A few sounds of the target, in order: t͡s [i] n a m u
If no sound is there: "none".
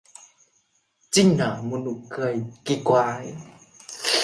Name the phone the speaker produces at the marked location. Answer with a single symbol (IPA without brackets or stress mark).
i